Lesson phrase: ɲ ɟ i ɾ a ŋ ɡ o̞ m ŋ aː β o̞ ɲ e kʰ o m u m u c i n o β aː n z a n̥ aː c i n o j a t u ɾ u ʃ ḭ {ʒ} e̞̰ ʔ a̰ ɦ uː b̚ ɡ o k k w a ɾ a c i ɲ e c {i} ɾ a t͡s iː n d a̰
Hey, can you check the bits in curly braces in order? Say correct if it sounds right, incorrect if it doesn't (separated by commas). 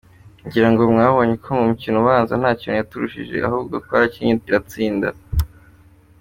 correct, correct